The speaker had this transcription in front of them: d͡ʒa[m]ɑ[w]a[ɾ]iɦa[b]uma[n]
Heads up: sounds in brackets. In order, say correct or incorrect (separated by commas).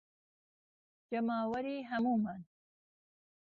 correct, correct, correct, incorrect, correct